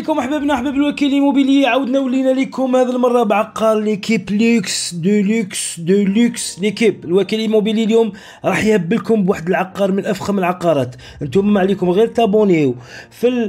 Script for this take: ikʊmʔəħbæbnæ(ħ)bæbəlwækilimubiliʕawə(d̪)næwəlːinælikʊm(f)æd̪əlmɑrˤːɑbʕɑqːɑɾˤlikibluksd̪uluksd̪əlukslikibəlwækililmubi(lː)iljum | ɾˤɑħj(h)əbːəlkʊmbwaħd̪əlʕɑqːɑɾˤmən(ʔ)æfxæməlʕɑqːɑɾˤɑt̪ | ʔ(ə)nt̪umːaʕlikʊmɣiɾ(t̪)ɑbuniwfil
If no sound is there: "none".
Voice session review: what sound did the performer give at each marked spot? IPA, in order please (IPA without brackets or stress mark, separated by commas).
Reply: ħ, d̪, h, l, h, ʔ, ə, t̪